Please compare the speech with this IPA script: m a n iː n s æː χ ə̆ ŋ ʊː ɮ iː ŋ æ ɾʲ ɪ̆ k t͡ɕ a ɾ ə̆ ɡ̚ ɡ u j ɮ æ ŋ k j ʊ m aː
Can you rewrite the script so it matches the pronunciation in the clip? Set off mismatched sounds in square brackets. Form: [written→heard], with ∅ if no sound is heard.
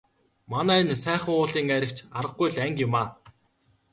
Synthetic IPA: m a n [iː→æː] n s æː χ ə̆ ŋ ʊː ɮ iː ŋ æ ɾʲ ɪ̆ k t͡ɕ a ɾ ə̆ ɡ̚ ɡ u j ɮ æ ŋ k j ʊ m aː